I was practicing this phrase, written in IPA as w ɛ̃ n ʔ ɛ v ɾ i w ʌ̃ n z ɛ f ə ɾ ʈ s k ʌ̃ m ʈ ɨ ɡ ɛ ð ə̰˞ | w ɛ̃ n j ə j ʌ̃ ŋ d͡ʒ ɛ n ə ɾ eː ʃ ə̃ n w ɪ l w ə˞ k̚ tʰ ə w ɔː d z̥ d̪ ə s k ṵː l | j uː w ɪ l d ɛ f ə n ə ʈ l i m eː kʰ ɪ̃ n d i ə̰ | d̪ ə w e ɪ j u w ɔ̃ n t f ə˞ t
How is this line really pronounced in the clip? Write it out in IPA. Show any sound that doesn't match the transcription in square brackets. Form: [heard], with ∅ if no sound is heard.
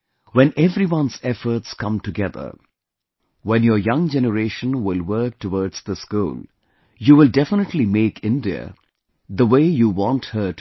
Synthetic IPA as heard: w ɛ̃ n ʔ ɛ v ɾ i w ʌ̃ n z ɛ f ə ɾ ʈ s k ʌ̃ m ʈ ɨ ɡ ɛ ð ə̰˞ | w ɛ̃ n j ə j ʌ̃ ŋ d͡ʒ ɛ n ə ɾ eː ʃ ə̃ n w ɪ l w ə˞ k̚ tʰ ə w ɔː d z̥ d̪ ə s k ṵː l | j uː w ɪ l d ɛ f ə n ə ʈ l i m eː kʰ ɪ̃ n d i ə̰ | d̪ ə w e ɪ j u w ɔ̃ n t [h] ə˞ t